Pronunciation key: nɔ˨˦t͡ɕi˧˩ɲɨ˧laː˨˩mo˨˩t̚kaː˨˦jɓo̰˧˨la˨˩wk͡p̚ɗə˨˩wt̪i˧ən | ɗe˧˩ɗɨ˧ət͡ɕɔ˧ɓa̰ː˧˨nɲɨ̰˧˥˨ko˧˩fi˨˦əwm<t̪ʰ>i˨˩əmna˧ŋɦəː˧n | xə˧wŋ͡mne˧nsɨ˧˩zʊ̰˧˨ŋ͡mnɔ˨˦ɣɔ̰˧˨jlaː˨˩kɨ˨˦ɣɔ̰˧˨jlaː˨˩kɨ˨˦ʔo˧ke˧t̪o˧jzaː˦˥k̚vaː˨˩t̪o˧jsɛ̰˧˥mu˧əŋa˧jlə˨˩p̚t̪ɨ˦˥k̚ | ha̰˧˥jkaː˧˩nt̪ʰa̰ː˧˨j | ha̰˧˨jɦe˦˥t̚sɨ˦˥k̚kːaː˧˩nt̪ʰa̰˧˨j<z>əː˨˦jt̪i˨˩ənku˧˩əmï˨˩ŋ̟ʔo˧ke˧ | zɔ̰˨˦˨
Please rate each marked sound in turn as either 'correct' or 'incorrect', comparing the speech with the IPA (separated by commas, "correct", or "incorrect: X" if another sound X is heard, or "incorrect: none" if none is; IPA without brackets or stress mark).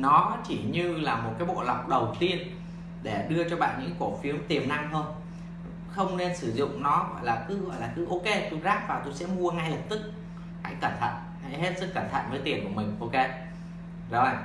incorrect: t̪, incorrect: v